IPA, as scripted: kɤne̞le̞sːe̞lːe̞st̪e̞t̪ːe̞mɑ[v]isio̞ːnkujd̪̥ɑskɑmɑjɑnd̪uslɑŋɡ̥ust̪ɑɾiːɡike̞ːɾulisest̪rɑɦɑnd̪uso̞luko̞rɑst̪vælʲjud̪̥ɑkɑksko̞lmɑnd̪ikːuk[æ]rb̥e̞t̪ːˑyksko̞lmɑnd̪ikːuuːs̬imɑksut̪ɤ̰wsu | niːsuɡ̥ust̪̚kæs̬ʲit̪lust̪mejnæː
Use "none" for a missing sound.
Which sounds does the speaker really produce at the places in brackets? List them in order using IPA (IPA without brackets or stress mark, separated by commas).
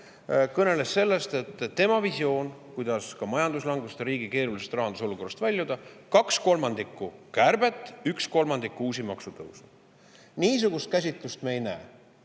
v, æ